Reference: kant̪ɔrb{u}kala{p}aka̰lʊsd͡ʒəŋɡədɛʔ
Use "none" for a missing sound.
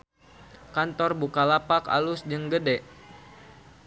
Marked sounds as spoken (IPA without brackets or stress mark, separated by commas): u, p